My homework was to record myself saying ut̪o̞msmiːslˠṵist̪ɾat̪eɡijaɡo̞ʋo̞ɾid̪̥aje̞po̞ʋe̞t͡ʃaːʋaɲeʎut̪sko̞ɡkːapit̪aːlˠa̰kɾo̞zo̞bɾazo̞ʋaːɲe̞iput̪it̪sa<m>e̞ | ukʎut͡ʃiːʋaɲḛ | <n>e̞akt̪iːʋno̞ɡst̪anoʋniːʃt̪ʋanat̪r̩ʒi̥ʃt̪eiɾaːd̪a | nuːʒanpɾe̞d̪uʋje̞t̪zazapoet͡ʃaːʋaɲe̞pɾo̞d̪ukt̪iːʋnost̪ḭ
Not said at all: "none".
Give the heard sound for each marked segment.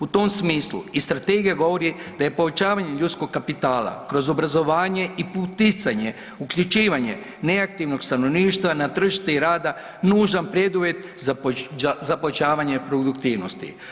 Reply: ɲ, n

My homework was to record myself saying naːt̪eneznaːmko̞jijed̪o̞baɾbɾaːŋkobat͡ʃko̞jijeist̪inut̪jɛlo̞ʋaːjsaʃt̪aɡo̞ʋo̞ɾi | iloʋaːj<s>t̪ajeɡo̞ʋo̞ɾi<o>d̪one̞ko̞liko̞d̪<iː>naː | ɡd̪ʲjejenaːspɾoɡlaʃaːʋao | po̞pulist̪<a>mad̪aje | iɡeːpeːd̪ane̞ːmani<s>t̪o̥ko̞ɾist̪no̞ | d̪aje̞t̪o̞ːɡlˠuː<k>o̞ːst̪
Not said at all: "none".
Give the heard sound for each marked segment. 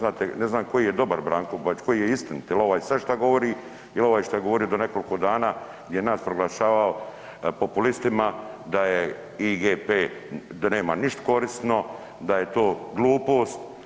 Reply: ʃ, o, aː, i, ʃ, p

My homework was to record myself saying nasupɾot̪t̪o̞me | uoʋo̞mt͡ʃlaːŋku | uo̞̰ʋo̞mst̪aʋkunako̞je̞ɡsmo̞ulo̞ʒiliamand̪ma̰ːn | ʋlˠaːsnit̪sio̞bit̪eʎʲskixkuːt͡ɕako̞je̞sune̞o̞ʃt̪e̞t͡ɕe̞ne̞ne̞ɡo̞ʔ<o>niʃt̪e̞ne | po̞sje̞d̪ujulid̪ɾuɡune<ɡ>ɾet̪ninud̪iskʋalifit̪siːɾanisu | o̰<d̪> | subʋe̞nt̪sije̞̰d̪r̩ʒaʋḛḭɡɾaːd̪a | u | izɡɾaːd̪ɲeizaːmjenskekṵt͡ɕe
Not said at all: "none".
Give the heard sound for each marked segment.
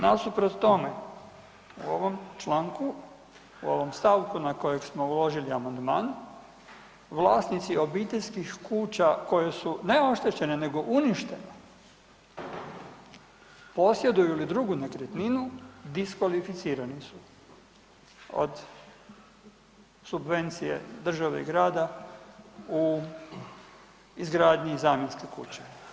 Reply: u, k, d̪

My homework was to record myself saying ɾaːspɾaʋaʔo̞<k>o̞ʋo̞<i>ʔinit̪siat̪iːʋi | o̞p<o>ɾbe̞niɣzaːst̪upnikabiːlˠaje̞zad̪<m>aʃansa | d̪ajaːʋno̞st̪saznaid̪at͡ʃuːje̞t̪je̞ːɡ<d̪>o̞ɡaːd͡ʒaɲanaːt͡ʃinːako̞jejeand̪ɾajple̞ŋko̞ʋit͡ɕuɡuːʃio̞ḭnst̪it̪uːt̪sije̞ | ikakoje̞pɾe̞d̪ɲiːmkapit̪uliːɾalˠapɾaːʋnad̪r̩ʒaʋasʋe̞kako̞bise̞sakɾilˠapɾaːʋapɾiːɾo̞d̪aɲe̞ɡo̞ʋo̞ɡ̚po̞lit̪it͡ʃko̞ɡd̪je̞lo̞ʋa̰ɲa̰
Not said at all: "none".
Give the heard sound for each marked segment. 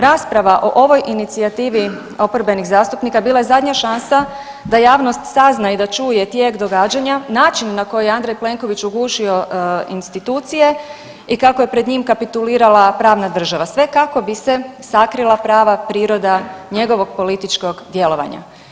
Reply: ʔ, j, o, ɲ, d̪

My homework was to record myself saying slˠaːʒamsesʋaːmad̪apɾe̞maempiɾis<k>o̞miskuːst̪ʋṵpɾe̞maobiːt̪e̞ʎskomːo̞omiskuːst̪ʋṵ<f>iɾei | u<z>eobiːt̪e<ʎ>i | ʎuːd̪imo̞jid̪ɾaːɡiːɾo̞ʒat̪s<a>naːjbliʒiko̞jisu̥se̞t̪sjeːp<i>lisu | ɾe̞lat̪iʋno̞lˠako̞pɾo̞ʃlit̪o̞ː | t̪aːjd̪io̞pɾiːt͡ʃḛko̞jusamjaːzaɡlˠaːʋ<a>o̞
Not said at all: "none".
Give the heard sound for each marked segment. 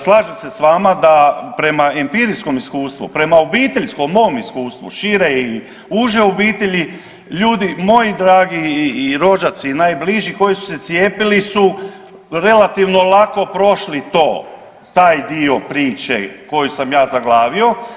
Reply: k, ʃ, ʒ, ʎ, i, i, i

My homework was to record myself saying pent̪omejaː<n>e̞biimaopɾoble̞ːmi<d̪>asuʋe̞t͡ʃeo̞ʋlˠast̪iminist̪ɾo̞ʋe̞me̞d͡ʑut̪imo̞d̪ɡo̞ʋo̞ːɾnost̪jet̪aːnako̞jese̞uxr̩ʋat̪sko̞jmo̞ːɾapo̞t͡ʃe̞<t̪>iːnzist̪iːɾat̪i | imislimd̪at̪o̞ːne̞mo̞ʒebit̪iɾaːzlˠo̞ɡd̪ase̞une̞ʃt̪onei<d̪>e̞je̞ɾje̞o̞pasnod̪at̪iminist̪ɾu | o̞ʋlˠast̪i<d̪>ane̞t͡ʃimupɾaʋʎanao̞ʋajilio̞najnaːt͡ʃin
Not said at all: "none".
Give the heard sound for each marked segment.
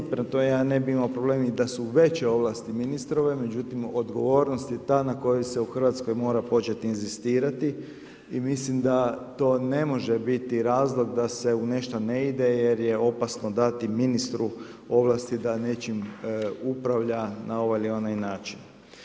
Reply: n, d̪, t̪, d̪, d̪

